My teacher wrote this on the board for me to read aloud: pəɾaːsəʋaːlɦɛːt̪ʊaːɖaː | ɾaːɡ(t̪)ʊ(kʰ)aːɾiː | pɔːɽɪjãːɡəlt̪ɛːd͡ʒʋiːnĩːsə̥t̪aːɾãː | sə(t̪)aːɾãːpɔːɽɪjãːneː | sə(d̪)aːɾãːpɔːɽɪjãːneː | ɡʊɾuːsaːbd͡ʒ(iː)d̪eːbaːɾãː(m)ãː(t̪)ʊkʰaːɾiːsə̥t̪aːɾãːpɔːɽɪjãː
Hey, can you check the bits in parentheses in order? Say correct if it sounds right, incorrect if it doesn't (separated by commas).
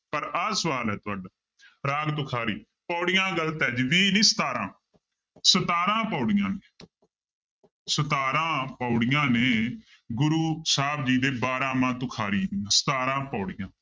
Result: correct, correct, correct, incorrect, correct, correct, correct